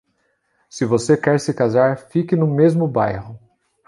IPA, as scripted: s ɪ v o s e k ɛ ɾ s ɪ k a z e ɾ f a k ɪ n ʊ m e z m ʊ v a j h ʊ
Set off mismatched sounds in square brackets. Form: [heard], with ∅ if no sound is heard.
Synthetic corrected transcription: s ɪ v o s e k ɛ ɾ s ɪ k a z [a] ɾ f [i] k ɪ n ʊ m e z m ʊ [b] a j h ʊ